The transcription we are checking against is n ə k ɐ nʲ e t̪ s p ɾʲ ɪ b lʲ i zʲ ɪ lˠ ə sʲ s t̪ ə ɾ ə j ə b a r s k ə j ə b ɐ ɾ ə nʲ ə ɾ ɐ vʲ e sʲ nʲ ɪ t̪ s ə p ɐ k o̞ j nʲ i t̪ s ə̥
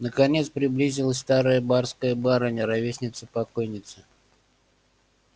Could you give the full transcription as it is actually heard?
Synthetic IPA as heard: n ə k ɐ nʲ e t̪ s p ɾʲ ɪ b lʲ i zʲ ɪ lˠ ə sʲ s t̪ a ɾ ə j ə b a r s k ə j ə b a ɾ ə nʲ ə ɾ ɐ vʲ e sʲ nʲ ɪ t̪ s ə p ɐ k o̞ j nʲ ɪ t̪ s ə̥